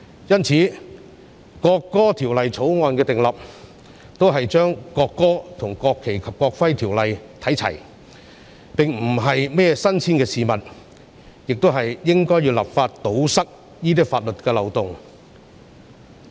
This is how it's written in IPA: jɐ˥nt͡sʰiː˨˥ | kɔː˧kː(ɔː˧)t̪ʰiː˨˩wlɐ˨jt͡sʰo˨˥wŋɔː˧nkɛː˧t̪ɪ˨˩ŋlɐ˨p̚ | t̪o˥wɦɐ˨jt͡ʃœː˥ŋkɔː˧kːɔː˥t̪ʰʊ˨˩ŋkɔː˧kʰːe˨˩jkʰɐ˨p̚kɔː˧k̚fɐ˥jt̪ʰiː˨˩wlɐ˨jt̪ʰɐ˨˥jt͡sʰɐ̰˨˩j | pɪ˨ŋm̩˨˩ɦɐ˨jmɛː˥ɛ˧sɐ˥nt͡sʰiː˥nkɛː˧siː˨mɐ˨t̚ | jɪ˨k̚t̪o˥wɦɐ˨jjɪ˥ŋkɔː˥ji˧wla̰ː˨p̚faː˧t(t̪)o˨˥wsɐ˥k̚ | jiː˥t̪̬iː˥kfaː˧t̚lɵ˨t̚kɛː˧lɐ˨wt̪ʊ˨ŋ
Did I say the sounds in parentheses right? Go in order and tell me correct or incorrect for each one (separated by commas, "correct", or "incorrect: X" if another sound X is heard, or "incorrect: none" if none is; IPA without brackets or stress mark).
incorrect: ɔː˥, correct